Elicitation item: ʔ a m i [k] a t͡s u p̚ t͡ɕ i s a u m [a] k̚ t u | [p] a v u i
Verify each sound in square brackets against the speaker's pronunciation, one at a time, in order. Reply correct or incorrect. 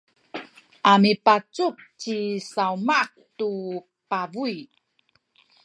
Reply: incorrect: p, correct, correct

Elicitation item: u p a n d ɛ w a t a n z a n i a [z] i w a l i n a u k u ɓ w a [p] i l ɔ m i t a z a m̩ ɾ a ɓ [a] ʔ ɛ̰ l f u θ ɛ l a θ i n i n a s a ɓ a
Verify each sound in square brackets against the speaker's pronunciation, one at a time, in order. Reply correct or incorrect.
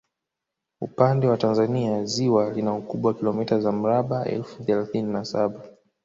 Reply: correct, incorrect: k, correct

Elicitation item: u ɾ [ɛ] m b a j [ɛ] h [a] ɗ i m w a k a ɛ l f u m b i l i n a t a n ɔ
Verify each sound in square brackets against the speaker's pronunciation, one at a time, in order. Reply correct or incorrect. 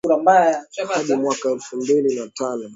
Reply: incorrect: a, incorrect: a, correct

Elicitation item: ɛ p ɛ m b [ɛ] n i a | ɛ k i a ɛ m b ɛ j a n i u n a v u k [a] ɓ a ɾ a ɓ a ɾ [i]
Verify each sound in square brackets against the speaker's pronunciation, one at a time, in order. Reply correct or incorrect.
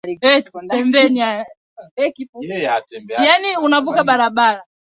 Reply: correct, correct, incorrect: a

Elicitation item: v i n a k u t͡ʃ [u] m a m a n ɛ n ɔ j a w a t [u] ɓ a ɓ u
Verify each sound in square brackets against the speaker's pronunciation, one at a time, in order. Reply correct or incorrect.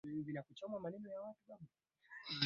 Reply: incorrect: ɔ, correct

